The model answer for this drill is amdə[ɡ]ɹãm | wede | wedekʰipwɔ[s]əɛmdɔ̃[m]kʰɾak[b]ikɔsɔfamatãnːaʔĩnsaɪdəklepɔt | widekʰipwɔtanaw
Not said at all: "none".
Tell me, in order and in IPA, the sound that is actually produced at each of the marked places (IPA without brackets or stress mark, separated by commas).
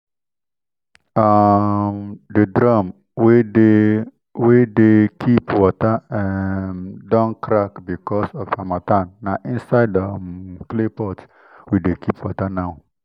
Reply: d, t, n, b